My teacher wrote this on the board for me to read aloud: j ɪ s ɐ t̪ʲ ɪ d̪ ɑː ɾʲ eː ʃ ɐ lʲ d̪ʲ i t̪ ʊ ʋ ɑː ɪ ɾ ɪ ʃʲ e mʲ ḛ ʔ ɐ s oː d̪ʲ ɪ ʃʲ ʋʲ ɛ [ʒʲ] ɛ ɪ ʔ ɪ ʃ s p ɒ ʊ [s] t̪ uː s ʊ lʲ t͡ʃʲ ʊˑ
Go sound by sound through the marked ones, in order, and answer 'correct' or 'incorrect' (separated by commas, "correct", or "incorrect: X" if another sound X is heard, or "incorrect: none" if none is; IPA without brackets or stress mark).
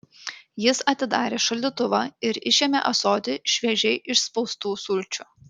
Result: correct, correct